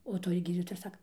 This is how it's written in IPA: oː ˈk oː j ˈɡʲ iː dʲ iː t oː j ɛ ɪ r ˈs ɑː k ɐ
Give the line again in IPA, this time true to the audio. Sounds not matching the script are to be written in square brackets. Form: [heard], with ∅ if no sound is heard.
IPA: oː [ˈt] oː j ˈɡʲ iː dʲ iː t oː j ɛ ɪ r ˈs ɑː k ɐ